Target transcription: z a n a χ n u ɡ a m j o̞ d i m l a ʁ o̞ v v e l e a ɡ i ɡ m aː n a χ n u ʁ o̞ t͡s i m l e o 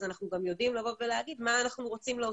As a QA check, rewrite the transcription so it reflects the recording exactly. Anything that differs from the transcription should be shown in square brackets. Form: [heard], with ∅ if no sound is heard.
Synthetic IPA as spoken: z a n a χ n u ɡ a m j o̞ d i m l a [v] o̞ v v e l e a ɡ i [d] m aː n a χ n u ʁ o̞ t͡s i m l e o